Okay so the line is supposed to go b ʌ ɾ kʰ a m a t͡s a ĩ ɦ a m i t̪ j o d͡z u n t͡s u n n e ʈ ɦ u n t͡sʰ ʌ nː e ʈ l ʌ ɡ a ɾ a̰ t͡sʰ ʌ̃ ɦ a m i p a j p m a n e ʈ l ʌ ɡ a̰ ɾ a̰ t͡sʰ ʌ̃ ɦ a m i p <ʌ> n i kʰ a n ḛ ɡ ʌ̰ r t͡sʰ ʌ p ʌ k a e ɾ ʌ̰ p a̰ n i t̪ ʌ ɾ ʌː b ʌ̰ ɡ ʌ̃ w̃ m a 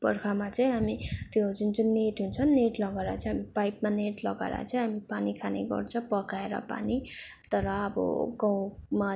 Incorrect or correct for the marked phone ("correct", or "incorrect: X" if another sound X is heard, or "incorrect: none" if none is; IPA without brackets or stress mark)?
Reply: incorrect: a